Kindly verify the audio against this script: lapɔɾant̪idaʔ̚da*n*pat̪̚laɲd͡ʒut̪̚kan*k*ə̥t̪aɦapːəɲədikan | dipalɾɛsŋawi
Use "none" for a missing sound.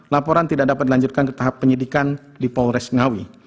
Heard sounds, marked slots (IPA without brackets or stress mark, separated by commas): none, k